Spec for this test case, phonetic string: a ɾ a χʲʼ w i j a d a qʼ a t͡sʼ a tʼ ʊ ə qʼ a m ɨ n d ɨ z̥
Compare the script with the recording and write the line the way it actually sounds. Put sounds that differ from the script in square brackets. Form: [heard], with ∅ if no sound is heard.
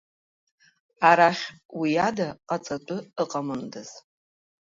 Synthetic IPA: a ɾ a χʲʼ w i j a d a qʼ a t͡sʼ a tʼ ʊ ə qʼ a m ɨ n d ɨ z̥